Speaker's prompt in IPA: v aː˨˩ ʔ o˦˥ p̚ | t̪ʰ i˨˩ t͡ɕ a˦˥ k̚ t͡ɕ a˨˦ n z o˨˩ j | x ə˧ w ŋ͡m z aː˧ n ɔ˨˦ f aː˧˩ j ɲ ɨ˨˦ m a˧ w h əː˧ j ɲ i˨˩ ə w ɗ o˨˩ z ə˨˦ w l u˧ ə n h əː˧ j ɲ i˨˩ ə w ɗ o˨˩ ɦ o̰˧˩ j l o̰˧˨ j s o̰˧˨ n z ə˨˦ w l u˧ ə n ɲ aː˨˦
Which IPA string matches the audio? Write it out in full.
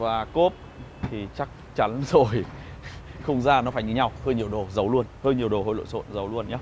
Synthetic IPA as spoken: v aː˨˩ k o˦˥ p̚ | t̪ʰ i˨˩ t͡ɕ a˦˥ k̚ t͡ɕ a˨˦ n z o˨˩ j | x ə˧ w ŋ͡m z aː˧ n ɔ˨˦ f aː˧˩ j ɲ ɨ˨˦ ɲ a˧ w h əː˧ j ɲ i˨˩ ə w ɗ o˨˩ z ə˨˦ w l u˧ ə n h əː˧ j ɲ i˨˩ ə w ɗ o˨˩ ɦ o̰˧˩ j l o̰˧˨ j s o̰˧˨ n z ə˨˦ w l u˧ ə n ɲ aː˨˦